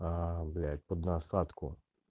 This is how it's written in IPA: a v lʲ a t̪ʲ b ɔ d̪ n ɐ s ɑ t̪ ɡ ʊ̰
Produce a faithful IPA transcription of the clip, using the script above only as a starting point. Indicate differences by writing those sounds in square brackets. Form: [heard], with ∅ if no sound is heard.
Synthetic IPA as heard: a [b] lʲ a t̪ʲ [p] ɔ d̪ n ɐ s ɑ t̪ [k] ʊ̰

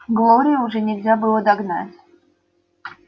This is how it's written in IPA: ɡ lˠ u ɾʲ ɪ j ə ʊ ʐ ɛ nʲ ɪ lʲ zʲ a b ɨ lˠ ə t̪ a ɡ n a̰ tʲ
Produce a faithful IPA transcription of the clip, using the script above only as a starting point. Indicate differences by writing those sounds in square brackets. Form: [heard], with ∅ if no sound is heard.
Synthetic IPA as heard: ɡ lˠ [o] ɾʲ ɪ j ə ʊ ʐ ɛ nʲ ɪ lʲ zʲ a b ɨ lˠ ə [d̪] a ɡ n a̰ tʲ

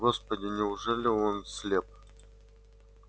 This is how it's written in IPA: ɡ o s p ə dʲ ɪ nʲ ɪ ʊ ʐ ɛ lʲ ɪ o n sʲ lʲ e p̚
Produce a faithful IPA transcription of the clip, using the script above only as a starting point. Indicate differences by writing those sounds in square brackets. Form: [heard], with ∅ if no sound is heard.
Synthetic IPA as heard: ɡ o s p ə dʲ ɪ nʲ ɪ ʊ ʐ ɛ lʲ ɪ o n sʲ lʲ e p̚

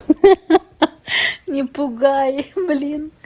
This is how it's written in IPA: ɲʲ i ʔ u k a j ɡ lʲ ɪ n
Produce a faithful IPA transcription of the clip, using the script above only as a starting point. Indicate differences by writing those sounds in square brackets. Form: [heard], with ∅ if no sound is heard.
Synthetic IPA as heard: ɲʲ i [p] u [ɡ] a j [b] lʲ [i] n

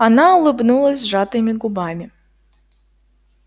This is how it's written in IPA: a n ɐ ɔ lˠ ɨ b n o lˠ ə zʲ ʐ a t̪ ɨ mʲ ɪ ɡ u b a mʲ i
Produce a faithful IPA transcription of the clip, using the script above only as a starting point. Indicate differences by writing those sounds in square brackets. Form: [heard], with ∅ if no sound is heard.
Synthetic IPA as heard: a n [a] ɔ lˠ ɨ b n [u] lˠ [ɐ] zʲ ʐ a t̪ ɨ mʲ [i] ɡ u b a mʲ i

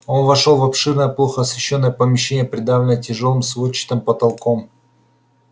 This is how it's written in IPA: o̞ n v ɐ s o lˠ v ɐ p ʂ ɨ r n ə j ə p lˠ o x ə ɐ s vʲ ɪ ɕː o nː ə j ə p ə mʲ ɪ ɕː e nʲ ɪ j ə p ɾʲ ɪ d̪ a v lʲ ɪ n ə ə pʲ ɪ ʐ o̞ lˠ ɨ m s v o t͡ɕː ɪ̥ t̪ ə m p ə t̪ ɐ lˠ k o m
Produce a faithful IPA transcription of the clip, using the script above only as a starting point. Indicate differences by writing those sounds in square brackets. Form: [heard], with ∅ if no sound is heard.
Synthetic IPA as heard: o̞ n v ɐ [ʂ] o lˠ v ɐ p ʂ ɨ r n ə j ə p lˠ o x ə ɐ s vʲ ɪ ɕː o nː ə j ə p ə mʲ ɪ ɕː e nʲ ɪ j ə p ɾʲ ɪ d̪ a v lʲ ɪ n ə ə [tʲ] ɪ ʐ o̞ lˠ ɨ m s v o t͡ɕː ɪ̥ t̪ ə m p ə t̪ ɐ lˠ k o m

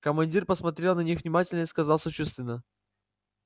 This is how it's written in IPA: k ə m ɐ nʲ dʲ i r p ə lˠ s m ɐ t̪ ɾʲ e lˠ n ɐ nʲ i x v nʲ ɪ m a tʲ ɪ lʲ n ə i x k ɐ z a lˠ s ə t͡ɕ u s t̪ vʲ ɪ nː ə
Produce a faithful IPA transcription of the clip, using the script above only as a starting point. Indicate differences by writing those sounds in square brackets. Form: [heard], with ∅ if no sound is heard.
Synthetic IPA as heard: k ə m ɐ nʲ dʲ i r p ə [∅] s m ɐ t̪ ɾʲ e lˠ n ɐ nʲ i x v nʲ ɪ m a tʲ ɪ lʲ n ə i [s] k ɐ z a lˠ s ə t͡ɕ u s t̪ vʲ ɪ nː ə

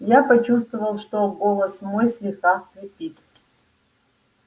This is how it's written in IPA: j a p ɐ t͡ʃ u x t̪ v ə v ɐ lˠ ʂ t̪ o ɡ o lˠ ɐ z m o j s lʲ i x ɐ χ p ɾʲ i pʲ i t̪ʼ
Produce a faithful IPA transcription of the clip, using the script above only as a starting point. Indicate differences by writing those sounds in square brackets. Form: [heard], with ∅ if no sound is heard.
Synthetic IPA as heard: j a p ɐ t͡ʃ u [s] t̪ v ə v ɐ lˠ ʂ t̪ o ɡ o lˠ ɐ [s] m o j s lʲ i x [a] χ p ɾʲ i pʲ i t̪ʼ

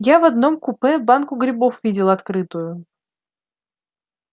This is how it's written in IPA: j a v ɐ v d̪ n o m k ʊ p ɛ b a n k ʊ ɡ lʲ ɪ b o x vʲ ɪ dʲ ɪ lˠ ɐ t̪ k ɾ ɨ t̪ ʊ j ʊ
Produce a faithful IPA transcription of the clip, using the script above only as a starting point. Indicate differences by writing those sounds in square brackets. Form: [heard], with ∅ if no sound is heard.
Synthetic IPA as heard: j a v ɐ [∅] d̪ n o m k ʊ p ɛ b a n k ʊ ɡ [ɾʲ] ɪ b o [f] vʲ [i] dʲ ɪ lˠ ɐ t̪ k ɾ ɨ t̪ ʊ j ʊ

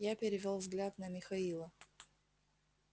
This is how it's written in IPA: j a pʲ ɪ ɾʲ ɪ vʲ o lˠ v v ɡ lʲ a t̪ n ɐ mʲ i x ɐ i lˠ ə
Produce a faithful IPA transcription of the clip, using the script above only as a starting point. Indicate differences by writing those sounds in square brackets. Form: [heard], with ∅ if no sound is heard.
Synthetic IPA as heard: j a pʲ ɪ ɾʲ ɪ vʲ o lˠ v [z] ɡ lʲ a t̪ n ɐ mʲ [ɪ] x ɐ i lˠ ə

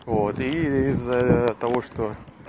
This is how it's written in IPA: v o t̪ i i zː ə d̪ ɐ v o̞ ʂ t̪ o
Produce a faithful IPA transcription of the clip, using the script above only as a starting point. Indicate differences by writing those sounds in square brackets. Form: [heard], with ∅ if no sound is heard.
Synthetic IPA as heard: v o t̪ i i zː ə [t̪] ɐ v o̞ ʂ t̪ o

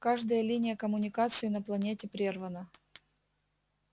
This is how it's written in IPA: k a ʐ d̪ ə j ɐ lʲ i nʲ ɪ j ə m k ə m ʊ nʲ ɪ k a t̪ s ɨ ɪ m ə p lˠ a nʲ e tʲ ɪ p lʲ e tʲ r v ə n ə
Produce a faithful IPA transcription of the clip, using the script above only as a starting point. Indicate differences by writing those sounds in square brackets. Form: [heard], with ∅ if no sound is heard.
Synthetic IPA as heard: k a ʐ d̪ ə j [ə] lʲ i nʲ ɪ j ə [∅] k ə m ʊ nʲ ɪ k a t̪ s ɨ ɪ [n] ə p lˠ [ɐ] nʲ e tʲ ɪ p [ɾʲ] e [∅] r v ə n ə

